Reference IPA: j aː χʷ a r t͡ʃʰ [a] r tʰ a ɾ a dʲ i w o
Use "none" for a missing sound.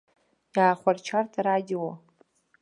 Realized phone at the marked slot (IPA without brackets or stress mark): a